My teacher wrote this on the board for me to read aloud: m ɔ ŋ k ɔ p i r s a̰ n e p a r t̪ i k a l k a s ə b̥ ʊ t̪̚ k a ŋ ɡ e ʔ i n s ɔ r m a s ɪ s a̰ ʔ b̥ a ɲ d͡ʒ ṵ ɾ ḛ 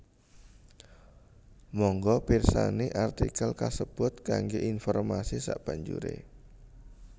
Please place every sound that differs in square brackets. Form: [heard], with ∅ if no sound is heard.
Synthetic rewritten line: m ɔ ŋ [ɡ] ɔ p i r s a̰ n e [ʔ] a r t̪ i k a l k a s ə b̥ ʊ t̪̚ k a ŋ ɡ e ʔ i n [f] ɔ r m a s [i] s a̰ ʔ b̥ a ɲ d͡ʒ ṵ ɾ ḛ